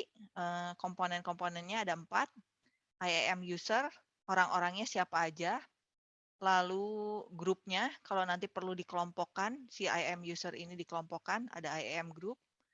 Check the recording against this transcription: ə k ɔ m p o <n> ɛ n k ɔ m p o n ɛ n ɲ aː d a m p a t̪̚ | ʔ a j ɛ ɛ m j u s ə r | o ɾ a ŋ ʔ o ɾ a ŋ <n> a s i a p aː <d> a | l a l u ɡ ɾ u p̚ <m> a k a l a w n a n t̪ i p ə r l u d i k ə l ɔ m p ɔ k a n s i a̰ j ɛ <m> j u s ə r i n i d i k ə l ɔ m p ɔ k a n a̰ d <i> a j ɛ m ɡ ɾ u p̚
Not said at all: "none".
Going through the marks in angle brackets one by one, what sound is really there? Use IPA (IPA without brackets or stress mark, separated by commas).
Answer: n, ɲ, d͡ʒ, ɲ, m, a